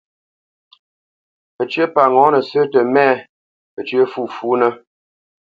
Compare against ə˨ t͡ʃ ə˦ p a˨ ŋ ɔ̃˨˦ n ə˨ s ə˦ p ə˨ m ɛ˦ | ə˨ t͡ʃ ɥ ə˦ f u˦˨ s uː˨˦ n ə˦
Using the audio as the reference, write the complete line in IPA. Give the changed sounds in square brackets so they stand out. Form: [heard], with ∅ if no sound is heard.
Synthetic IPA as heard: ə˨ t͡ʃ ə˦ p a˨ ŋ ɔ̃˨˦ n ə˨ s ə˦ [t] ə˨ m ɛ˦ | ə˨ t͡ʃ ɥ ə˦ f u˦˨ [f] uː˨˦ n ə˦